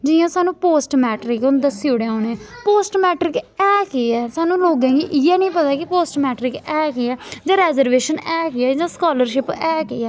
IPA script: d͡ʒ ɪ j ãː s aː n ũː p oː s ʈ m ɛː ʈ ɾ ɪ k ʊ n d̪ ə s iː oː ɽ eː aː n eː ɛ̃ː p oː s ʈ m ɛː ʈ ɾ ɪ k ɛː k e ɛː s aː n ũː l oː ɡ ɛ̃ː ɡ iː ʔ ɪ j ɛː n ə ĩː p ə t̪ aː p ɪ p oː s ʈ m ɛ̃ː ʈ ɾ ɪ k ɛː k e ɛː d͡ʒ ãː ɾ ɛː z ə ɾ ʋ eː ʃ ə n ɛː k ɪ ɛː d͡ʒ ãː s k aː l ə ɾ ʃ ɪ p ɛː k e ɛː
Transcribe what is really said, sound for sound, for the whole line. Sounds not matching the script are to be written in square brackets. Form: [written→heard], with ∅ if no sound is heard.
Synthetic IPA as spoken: d͡ʒ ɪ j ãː s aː n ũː p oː s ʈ m ɛː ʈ ɾ ɪ k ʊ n d̪ ə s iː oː ɽ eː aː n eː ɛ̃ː p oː s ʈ m ɛː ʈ ɾ ɪ k ɛː k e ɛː s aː n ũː l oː ɡ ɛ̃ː ɡ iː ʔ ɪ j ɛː n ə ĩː p ə t̪ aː [p→k] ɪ p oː s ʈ m [ɛ̃ː→ɛː] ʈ ɾ ɪ k ɛː k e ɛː d͡ʒ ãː ɾ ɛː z ə ɾ ʋ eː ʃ ə n ɛː k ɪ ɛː d͡ʒ ãː s k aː l ə ɾ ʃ ɪ p ɛː k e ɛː